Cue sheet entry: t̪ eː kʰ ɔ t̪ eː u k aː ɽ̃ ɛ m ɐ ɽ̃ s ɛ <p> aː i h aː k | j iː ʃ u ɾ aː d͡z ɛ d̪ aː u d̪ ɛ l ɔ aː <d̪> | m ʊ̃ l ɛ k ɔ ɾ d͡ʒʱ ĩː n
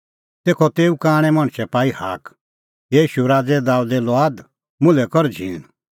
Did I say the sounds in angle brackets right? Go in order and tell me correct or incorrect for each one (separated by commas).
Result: correct, correct